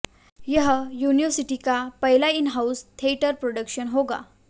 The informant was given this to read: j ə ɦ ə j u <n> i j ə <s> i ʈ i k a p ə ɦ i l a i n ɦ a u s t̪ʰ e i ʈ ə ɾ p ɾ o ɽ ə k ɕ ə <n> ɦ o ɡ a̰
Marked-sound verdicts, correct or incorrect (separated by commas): correct, correct, correct